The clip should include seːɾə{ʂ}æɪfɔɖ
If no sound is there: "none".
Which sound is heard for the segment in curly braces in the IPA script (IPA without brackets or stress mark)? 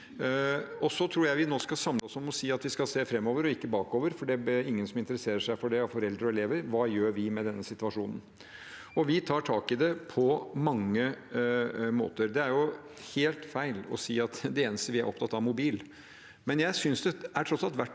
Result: ʂ